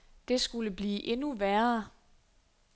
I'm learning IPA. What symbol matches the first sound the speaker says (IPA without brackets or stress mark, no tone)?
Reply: d̥